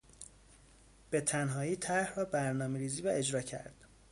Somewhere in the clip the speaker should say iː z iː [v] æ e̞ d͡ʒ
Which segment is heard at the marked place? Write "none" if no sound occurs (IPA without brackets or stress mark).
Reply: v